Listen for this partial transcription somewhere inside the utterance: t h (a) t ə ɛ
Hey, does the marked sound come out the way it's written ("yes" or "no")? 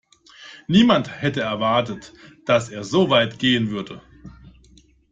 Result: no